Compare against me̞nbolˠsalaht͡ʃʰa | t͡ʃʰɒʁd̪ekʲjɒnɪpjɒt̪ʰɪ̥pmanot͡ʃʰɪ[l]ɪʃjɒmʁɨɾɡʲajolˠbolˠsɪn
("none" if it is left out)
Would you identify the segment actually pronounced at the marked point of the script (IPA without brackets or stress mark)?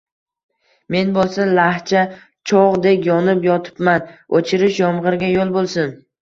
ɾ